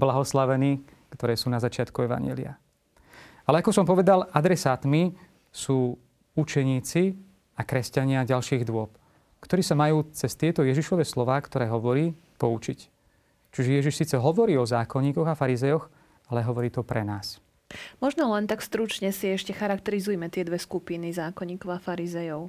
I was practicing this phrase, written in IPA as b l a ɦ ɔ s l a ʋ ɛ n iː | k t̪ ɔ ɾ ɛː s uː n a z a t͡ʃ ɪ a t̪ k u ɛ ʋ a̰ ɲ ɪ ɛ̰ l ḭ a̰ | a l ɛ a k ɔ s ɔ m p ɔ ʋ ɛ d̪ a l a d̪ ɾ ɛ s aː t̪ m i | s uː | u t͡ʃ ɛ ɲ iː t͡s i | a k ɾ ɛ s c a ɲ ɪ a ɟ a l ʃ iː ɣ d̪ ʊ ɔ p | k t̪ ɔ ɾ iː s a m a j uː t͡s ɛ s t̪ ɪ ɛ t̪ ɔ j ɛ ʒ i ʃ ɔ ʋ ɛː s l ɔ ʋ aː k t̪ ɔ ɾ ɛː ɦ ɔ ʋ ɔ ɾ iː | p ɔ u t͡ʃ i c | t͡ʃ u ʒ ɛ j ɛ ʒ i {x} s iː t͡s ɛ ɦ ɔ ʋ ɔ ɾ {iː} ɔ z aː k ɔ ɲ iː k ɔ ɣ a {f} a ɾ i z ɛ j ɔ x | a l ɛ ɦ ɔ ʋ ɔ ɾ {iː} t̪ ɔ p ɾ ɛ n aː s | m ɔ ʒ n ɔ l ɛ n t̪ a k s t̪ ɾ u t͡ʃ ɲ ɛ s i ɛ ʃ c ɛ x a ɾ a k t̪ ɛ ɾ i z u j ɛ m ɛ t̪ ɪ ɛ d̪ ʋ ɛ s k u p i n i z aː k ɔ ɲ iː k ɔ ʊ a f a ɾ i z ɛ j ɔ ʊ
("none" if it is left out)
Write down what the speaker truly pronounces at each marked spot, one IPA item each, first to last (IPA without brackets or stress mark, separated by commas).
ʃ, iː, f, iː